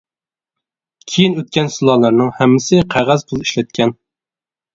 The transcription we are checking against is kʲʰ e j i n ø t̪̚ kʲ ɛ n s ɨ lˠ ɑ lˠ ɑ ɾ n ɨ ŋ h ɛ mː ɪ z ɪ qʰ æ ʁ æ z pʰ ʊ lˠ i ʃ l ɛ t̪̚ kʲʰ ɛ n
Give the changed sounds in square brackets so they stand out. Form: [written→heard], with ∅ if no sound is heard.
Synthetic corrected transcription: kʲʰ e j i n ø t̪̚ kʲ ɛ n s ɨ lˠ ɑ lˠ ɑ ɾ n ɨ ŋ h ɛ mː ɪ [z→s] ɪ qʰ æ ʁ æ z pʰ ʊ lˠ i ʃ l ɛ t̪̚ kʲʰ ɛ n